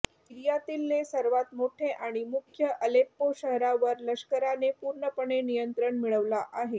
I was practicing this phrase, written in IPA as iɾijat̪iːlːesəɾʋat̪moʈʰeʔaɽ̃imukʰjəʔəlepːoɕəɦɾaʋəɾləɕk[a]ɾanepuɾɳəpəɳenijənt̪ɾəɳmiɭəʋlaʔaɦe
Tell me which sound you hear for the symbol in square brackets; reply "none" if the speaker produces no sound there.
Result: ə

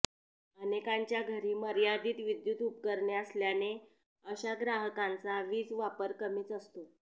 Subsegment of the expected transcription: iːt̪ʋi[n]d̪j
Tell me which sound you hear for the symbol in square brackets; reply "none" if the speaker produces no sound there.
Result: none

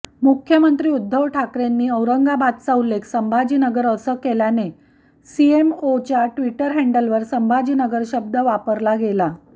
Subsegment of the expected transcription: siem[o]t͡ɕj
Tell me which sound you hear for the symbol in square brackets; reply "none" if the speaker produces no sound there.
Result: o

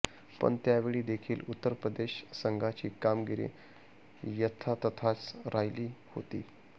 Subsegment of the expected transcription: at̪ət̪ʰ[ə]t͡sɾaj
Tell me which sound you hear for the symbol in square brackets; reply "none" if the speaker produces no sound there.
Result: a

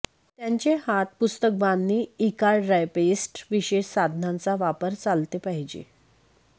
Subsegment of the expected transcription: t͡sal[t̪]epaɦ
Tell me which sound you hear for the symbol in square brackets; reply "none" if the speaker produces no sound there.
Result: t̪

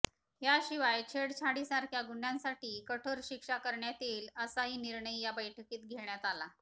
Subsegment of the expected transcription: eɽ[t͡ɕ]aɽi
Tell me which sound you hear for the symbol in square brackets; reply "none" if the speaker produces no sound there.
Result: t͡ɕʰ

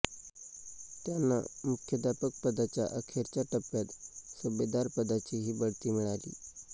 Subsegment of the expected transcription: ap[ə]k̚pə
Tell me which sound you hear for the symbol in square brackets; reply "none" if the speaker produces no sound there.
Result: ə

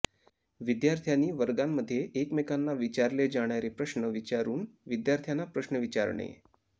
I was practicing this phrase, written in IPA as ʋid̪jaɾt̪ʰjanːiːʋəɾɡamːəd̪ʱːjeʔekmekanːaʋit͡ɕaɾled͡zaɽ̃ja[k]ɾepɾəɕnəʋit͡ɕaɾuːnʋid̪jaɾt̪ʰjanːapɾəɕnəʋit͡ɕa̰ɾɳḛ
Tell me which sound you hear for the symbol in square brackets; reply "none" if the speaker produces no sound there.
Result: none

